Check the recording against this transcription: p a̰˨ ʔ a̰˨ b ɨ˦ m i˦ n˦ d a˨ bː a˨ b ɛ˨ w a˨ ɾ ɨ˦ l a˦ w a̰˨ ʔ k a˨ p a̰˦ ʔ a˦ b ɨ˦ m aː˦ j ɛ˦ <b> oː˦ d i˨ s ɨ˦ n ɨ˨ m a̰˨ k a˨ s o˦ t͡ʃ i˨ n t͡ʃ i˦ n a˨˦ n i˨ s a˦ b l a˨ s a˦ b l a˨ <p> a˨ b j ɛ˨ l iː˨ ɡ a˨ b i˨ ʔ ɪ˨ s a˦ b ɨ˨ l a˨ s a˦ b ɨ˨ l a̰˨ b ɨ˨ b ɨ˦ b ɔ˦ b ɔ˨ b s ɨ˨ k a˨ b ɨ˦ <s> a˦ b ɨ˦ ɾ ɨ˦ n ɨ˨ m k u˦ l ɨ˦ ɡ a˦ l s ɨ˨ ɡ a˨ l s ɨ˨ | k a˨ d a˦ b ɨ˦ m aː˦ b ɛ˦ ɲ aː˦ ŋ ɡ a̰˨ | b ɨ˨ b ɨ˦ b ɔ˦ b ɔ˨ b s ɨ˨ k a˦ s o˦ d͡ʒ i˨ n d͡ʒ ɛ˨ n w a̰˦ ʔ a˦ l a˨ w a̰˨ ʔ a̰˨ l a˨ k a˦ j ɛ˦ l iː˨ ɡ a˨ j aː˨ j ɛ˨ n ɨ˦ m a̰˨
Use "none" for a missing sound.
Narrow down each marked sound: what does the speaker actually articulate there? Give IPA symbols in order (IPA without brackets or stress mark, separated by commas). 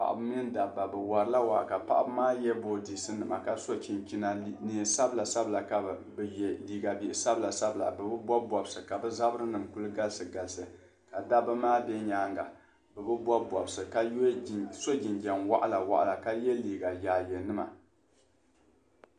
b, k, z